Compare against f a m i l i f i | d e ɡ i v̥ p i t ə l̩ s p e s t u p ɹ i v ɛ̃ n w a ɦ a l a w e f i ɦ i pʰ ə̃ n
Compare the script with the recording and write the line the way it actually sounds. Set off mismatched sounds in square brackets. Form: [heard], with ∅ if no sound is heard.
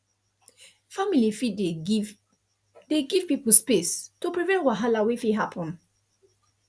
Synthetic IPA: f a m i l i f i | d e ɡ i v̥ p i [p] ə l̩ s p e s t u p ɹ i v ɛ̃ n w a ɦ a l a w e f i ɦ [a] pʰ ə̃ n